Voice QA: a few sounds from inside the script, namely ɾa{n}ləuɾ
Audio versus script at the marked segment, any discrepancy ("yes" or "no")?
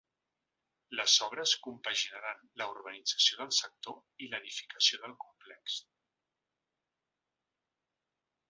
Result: no